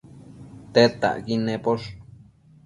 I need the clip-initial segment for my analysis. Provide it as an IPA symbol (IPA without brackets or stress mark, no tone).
t̪